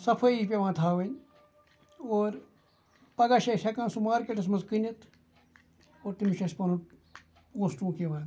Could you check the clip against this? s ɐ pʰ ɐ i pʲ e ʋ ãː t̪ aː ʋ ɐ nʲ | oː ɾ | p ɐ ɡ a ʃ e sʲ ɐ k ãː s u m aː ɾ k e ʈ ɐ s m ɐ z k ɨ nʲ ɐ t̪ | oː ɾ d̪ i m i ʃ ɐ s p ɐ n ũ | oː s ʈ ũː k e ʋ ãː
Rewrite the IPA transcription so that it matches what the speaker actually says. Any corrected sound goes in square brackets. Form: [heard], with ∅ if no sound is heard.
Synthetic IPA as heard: s ɐ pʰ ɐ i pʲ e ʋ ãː [t̪ʰ] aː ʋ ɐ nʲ | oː ɾ | p ɐ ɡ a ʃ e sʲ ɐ k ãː s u m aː ɾ k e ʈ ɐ s m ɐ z k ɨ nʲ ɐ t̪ | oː ɾ [t̪] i m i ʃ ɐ s p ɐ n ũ | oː s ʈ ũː k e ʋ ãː